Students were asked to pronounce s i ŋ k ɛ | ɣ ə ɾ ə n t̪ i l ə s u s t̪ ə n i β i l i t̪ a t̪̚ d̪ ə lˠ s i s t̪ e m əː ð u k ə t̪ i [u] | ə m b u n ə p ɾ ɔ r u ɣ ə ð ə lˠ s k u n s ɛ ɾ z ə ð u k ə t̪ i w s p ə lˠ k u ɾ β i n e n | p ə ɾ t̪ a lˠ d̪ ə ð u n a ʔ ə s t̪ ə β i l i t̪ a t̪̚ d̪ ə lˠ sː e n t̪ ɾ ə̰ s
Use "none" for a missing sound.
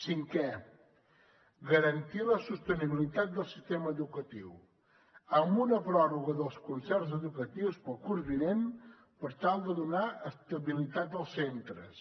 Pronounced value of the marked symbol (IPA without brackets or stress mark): w